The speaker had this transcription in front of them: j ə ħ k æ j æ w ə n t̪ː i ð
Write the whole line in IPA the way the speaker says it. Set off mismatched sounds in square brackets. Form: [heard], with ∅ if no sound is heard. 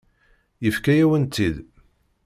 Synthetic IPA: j ə [f] k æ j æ w ə n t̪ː i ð